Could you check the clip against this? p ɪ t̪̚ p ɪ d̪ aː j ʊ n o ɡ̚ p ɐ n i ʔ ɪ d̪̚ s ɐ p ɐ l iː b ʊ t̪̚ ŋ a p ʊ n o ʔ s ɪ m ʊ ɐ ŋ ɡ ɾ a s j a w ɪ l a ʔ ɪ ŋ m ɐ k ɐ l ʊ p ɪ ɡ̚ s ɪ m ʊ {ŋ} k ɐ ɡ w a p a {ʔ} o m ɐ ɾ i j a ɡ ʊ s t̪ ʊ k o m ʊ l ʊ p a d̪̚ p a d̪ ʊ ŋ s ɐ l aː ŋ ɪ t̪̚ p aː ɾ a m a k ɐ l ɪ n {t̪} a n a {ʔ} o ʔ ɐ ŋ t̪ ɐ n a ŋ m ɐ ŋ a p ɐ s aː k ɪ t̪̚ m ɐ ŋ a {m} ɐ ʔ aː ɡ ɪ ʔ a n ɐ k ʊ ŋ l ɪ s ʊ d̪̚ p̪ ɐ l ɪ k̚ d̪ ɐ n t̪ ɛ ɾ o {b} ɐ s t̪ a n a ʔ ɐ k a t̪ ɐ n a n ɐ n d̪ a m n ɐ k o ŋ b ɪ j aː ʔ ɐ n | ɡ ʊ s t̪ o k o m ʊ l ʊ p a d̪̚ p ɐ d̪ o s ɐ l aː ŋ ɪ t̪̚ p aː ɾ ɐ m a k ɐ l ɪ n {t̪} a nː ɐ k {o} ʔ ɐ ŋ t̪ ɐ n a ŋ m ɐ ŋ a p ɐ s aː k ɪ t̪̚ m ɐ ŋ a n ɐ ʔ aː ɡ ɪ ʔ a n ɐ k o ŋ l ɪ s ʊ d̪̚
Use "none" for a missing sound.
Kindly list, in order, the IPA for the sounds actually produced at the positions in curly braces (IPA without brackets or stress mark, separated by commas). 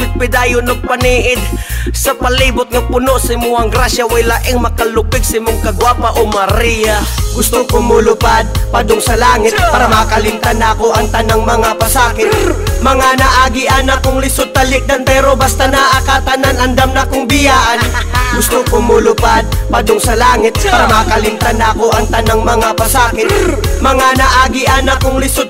ŋ, ʔ, t̪, k, n, b, t̪, o